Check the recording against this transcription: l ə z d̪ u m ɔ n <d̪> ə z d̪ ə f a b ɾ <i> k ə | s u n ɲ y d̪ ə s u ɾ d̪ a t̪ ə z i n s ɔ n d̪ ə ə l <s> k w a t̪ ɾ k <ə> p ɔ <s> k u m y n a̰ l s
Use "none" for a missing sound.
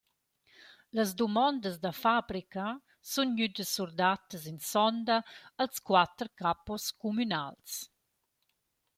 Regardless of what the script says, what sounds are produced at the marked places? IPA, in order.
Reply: d̪, i, s, a, s

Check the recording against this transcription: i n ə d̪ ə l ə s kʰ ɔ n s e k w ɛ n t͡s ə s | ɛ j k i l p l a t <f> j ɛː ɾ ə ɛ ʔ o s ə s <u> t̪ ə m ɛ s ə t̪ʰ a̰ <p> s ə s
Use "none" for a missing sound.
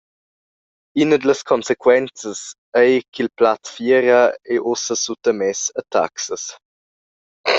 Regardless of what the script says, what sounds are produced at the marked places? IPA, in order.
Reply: f, u, k

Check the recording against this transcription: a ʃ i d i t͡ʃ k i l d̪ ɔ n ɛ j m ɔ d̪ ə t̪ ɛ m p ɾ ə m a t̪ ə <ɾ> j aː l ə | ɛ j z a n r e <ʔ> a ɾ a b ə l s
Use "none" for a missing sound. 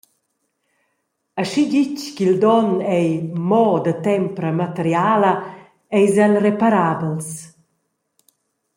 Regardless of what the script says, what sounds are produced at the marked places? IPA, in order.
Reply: ɾ, p

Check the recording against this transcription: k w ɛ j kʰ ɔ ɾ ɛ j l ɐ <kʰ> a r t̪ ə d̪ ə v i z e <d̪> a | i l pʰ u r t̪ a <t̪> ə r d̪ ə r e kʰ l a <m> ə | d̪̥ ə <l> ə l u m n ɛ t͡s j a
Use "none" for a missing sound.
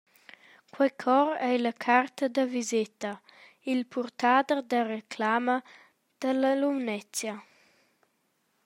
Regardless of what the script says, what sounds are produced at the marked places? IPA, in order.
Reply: kʰ, t̪, d̪, m, l

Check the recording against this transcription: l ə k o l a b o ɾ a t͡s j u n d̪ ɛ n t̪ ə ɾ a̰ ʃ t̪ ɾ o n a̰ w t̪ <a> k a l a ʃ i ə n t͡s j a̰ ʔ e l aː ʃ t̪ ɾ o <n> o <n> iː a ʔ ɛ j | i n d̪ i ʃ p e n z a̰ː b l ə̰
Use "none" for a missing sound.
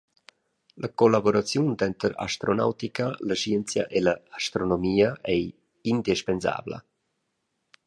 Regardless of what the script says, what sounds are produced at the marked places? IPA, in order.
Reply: i, n, m

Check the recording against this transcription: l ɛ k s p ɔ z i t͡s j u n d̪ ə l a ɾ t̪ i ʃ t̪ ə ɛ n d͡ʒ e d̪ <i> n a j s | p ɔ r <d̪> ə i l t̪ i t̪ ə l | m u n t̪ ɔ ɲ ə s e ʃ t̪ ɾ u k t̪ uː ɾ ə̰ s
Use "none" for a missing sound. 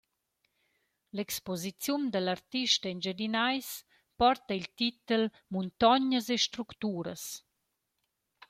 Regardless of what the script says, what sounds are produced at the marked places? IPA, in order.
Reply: i, t̪

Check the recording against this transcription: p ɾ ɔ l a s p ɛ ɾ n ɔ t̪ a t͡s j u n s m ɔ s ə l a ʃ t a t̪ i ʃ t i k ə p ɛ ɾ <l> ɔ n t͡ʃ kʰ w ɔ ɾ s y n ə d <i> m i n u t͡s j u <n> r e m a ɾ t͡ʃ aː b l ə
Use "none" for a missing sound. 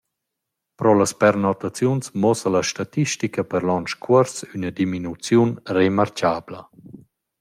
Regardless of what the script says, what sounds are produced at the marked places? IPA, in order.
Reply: l, i, n

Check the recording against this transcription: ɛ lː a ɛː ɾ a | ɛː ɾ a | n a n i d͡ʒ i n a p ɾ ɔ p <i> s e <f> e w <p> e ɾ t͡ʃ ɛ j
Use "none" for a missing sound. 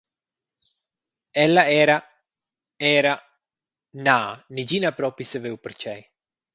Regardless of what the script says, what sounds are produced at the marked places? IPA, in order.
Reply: i, v, p

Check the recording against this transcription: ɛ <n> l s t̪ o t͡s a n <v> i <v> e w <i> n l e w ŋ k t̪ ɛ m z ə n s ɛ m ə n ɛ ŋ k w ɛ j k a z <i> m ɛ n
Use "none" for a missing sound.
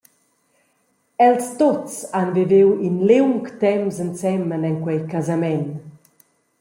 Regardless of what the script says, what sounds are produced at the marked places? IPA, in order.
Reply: none, v, v, i, a

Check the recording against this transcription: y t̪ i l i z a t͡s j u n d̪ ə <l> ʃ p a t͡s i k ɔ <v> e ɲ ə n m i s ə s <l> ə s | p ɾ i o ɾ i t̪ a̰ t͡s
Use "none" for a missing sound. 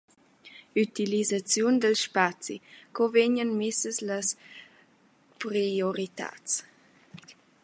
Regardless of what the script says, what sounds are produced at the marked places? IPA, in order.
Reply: l, v, l

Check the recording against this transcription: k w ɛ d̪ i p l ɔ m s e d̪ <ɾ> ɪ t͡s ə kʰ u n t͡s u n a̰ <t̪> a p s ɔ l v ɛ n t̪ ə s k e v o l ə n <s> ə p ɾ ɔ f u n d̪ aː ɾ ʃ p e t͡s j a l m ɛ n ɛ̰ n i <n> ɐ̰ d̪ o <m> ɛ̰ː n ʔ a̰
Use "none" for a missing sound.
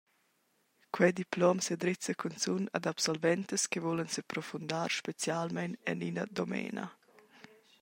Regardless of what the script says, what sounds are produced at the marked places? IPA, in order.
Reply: ɾ, d̪, s, n, m

